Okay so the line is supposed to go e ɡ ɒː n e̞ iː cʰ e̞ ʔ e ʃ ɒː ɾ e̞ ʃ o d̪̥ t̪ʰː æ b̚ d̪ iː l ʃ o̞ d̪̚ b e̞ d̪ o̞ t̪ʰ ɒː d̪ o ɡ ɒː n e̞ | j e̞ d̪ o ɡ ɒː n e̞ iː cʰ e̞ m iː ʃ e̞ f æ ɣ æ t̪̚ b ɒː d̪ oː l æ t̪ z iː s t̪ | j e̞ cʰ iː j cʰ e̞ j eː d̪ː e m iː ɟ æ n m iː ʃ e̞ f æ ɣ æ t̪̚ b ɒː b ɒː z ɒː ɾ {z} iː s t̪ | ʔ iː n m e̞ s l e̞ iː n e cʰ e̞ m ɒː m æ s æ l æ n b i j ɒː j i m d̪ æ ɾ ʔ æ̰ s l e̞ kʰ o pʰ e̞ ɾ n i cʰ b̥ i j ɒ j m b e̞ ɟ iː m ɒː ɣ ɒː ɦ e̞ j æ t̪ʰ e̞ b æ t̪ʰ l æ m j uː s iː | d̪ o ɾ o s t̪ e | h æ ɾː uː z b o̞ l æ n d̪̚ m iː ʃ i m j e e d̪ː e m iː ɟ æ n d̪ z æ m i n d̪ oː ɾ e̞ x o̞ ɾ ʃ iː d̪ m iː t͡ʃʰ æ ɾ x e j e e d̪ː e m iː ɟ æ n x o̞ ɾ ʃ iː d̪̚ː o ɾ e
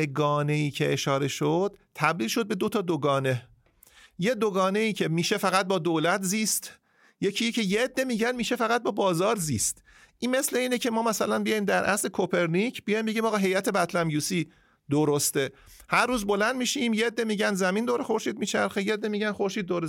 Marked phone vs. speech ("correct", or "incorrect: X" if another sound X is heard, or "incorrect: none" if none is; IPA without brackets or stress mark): correct